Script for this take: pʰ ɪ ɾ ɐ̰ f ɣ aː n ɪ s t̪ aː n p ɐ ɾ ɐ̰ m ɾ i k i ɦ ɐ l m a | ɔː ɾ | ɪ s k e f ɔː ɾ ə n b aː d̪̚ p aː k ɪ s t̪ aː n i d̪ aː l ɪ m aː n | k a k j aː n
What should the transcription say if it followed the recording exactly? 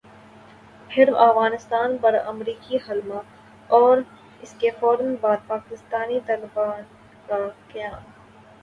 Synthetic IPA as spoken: pʰ ɪ ɾ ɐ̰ f ɣ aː n ɪ s t̪ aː n p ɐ ɾ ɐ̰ m ɾ iː k i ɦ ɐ l m a | ɔː ɾ | ɪ s k e f ɔː ɾ ə n b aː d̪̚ p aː k ɪ s t̪ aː n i t̪ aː l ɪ b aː n | k a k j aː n

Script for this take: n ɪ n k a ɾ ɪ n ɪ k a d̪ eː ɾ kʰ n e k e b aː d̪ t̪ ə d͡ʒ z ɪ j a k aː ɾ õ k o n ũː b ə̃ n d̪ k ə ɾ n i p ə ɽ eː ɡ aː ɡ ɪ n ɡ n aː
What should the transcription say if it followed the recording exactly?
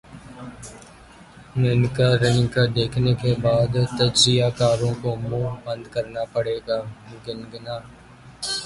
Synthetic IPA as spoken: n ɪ n k a ɾ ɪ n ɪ k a d̪ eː kʰ n e k e b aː d̪ t̪ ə d͡ʒ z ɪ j a k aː ɾ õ k o m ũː b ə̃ n d̪ k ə ɾ n a p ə ɽ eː ɡ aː ɡ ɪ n ɡ n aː

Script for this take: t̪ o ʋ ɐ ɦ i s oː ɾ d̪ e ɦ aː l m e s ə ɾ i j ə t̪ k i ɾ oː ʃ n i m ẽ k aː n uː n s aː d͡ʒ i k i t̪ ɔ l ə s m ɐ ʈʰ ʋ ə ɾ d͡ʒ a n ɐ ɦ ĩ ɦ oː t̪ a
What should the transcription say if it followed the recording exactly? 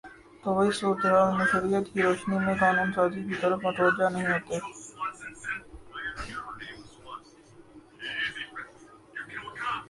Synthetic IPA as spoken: t̪ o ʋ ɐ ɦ i s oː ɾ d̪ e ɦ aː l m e ʃ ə ɾ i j ə t̪ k i ɾ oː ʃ n i m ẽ k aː n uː n s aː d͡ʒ i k i t̪ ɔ ɾ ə f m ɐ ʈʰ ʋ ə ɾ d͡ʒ a n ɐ ɦ ĩ ɦ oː t̪ e

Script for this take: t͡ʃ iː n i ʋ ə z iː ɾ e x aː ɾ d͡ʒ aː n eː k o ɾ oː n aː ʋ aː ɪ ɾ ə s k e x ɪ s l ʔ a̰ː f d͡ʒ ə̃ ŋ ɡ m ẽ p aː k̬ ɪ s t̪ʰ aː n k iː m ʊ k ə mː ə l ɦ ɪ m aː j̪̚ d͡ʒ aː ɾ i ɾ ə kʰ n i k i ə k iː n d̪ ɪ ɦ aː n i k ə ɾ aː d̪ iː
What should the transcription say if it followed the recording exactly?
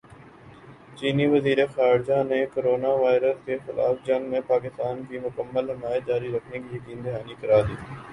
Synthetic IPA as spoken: t͡ʃ iː n i ʋ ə z iː ɾ e x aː ɾ d͡ʒ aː n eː k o ɾ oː n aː ʋ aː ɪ ɾ ə s k e x ɪ l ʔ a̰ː f d͡ʒ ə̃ ŋ ɡ m ẽ p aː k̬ ɪ s t̪ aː n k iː m ʊ k ə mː ə l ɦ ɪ m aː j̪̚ d͡ʒ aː ɾ i ɾ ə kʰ n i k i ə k iː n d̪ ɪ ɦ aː n i k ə ɾ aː d̪ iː

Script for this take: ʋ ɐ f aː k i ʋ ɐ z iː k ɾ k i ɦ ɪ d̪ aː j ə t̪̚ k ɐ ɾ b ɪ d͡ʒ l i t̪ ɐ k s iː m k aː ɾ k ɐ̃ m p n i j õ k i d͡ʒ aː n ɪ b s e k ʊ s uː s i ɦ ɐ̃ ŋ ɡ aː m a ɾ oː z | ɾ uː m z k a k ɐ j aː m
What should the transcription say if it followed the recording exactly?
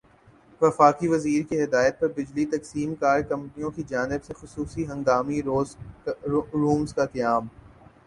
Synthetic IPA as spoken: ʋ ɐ f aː k i ʋ ɐ z iː ɾ k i ɦ ɪ d̪ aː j ə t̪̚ p ɐ ɾ b ɪ d͡ʒ l i t̪ ɐ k s iː m k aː ɾ k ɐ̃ m p n i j õ k i d͡ʒ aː n ɪ b s e x ʊ s uː s i ɦ ɐ̃ ŋ ɡ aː m i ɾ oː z | ɾ uː m z k a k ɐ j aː m

